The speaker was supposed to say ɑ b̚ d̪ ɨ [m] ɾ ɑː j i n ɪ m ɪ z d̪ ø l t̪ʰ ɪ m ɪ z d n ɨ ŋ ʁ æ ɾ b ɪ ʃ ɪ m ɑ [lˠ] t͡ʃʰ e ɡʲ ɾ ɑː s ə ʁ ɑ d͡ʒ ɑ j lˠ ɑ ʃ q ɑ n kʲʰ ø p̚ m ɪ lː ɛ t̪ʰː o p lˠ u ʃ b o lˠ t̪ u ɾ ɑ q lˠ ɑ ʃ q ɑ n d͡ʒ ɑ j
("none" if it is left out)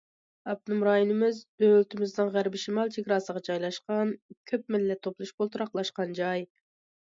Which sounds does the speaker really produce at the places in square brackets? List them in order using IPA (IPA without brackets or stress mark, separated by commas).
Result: m, lˠ